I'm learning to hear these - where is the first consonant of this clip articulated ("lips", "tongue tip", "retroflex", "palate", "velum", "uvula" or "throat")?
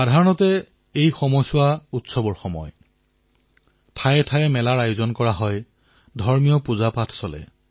tongue tip